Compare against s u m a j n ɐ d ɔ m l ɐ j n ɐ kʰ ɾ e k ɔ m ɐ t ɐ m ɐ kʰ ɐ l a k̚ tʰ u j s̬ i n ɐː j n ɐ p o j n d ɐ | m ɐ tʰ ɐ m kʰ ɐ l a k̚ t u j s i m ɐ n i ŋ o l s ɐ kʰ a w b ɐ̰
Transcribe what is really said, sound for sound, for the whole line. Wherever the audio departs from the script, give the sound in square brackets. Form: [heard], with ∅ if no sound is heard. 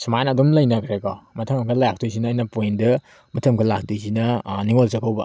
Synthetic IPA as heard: s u m a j n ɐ d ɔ m l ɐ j n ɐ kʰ ɾ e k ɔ m ɐ [tʰ] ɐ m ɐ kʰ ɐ l a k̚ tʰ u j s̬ i n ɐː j n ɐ p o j n d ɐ | m ɐ tʰ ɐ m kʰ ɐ l a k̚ t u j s i [n] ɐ n i ŋ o l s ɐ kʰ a w b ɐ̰